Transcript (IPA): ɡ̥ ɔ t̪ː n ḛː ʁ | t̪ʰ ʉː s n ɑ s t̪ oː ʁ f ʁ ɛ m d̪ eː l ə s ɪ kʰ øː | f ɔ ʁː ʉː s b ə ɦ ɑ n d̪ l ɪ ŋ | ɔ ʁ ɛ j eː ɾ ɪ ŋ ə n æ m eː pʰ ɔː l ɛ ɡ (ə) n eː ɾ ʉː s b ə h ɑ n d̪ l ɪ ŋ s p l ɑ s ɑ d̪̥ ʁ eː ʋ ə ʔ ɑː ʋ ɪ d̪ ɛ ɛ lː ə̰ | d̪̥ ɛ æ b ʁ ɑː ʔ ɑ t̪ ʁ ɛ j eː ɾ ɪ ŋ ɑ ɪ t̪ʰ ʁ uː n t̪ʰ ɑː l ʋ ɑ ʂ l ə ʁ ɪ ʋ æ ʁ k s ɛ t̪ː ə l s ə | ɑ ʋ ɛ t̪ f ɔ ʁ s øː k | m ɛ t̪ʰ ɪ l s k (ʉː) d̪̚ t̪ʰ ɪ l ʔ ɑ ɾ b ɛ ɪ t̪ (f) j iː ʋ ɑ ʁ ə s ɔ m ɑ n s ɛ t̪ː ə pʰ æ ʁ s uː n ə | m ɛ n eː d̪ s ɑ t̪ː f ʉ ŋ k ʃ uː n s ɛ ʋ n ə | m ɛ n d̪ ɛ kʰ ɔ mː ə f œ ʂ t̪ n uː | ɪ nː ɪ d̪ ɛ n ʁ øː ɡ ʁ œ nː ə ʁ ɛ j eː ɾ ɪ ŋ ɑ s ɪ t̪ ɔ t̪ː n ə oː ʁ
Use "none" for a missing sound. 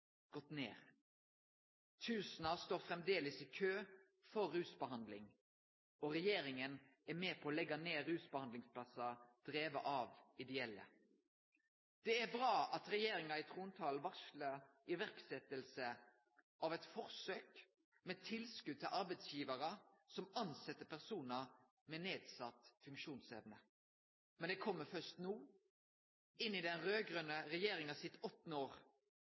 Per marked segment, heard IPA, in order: ɑ, ʉ, s

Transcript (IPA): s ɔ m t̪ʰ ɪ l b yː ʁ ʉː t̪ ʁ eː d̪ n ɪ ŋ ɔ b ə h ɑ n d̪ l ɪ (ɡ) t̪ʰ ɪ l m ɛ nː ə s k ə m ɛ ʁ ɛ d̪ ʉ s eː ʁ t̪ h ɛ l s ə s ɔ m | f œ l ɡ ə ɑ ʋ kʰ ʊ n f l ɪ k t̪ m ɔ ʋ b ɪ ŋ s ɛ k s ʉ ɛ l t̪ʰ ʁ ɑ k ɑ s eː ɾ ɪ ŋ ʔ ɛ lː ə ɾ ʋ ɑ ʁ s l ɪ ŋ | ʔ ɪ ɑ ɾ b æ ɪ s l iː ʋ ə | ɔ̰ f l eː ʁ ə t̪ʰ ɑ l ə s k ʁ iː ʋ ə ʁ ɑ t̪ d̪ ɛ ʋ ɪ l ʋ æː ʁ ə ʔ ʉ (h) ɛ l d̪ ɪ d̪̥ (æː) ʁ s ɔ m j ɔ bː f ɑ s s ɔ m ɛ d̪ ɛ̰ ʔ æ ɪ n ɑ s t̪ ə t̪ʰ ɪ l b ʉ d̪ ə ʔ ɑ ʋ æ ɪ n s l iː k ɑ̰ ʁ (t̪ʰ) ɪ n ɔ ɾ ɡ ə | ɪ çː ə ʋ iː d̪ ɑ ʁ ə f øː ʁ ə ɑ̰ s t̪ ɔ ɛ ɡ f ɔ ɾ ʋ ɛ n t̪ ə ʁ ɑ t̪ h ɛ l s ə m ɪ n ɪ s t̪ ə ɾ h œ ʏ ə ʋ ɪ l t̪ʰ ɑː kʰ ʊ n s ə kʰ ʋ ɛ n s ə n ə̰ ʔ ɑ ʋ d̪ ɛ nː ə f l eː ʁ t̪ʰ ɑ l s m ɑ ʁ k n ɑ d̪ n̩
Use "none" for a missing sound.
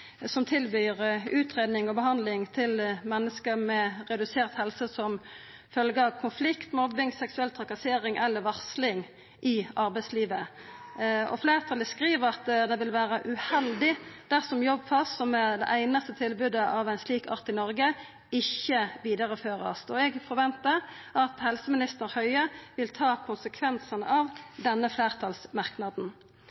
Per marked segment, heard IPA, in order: ŋ, h, æ, t̪

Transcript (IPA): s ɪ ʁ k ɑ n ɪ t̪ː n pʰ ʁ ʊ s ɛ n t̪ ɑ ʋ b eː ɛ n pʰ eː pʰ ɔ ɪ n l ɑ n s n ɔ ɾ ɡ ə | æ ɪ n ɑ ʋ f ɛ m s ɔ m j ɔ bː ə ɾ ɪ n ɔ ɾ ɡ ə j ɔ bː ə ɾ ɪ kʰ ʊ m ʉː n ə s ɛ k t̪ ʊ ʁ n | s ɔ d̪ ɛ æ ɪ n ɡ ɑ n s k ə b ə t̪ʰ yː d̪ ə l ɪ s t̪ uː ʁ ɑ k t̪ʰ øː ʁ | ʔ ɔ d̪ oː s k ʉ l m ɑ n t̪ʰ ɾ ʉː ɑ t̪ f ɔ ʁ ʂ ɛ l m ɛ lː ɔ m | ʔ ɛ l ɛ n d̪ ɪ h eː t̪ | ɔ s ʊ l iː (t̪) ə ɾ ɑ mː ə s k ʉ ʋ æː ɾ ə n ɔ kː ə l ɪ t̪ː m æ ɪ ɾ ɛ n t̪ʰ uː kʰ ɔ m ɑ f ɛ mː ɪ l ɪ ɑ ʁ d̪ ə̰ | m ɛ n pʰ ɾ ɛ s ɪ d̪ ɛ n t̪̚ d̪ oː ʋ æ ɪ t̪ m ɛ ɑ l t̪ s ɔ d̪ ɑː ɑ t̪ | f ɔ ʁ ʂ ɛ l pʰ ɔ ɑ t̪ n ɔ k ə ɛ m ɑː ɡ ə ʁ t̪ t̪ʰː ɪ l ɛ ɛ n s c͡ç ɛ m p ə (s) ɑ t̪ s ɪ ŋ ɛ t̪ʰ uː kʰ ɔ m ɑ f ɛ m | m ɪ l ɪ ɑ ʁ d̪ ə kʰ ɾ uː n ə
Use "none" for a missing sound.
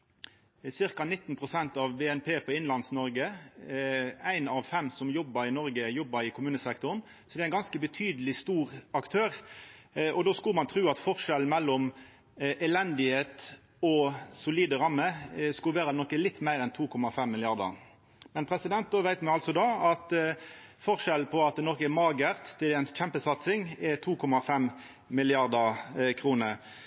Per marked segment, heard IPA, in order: d̪, s

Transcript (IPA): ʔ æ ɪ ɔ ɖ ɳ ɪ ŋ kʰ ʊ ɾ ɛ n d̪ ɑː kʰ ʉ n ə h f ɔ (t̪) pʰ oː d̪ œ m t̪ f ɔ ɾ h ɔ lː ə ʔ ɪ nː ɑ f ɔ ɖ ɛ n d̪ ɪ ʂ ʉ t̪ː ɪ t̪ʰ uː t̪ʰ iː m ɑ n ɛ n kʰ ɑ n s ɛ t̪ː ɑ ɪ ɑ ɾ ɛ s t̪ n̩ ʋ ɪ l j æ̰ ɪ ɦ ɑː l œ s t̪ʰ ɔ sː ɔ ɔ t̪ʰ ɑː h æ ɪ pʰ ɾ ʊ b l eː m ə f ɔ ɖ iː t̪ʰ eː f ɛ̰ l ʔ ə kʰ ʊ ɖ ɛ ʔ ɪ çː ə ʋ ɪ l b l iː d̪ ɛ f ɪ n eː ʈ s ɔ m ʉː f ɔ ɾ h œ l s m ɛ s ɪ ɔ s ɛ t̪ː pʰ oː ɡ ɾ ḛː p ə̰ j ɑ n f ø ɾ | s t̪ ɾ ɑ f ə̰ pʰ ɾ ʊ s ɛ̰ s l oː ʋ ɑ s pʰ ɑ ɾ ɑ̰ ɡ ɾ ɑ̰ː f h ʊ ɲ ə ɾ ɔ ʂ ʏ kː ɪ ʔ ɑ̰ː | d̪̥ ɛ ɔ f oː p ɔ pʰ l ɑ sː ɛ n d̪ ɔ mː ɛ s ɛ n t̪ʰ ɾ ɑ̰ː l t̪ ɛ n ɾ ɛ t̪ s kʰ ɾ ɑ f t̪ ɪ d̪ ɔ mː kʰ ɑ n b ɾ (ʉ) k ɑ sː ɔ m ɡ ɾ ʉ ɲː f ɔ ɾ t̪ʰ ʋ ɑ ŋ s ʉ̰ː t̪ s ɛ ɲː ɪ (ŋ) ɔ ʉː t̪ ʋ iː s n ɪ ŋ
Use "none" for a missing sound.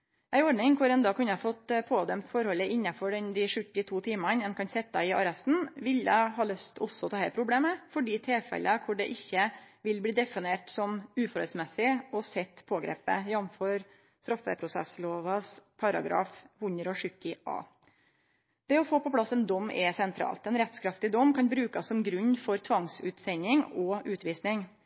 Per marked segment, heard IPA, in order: t̪, ʉː, ŋ

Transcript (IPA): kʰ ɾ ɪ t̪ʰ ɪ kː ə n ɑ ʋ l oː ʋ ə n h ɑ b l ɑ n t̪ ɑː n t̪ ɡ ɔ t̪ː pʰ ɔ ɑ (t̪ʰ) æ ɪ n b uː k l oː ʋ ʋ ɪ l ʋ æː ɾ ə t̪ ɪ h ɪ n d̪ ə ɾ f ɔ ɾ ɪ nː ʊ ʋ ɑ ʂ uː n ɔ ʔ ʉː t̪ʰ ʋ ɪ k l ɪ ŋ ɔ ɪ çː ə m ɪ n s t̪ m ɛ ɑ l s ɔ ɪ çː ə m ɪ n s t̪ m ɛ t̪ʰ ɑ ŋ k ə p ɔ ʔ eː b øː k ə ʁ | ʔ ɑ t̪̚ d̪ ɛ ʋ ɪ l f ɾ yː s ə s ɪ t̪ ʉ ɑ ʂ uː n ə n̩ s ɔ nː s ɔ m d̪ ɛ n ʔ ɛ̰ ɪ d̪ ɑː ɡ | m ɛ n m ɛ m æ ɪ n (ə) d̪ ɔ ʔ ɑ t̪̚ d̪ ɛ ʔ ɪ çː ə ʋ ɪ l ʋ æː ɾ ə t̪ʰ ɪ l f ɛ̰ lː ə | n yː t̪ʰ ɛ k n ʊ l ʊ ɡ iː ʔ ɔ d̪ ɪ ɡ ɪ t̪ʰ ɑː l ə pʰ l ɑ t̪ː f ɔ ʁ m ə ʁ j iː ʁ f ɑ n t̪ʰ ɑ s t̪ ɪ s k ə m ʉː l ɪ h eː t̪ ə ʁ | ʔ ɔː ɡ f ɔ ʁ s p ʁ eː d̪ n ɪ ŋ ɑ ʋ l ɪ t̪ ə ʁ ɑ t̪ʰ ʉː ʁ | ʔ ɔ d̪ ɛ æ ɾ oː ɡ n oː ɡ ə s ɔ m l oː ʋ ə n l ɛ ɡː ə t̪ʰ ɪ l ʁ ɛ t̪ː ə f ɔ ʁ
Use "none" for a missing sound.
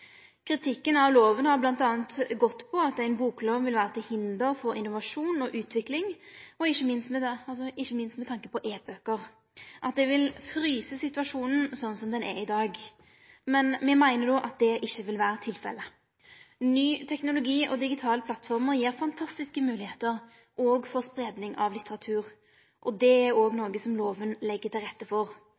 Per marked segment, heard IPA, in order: t̪, ə

